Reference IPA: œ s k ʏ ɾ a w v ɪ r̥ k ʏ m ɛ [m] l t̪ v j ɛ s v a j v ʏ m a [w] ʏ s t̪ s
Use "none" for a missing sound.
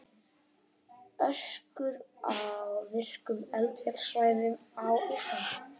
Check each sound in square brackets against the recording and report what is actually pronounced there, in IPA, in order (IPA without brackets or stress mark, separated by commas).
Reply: none, w